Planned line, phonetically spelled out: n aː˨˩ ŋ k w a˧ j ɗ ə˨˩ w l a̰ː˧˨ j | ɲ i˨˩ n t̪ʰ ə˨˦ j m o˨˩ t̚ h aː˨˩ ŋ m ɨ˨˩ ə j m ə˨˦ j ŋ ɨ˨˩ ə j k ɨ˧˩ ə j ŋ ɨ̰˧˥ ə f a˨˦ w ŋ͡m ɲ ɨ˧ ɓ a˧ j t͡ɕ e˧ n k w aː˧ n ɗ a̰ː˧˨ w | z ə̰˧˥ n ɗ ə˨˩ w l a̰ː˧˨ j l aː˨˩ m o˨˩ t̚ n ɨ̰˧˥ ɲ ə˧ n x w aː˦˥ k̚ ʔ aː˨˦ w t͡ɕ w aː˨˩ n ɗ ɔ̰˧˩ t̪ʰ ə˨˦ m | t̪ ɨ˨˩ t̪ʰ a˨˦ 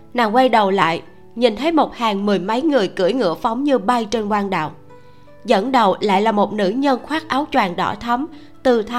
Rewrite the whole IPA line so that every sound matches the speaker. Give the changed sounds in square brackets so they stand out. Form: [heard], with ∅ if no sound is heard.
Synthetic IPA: n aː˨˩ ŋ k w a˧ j ɗ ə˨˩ w l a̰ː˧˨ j | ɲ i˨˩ n t̪ʰ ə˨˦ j m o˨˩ t̚ h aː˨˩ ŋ m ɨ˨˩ ə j m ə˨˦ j ŋ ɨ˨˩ ə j k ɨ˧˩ ə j ŋ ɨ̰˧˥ ə f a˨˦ w ŋ͡m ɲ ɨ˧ ɓ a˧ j t͡ɕ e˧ n k w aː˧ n ɗ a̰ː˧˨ w | z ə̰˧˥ n ɗ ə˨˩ w l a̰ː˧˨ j l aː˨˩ m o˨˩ t̚ n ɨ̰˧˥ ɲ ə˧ n x w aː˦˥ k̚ ʔ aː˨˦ w t͡ɕ w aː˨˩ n ɗ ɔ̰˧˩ t̪ʰ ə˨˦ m | t̪ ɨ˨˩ t̪ʰ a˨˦